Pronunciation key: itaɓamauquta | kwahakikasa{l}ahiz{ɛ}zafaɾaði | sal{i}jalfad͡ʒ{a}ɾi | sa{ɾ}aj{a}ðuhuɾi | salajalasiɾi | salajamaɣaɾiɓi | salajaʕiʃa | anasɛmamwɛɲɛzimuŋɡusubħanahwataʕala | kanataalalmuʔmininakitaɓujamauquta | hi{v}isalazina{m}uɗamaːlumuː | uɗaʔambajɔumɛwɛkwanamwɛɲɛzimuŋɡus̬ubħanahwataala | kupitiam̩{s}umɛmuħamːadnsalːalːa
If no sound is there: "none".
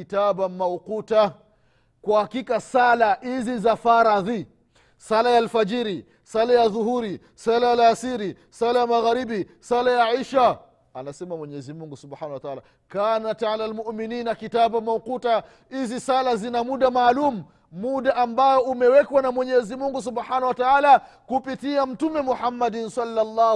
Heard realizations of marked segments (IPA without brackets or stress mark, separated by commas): l, i, a, i, l, a, z, m, t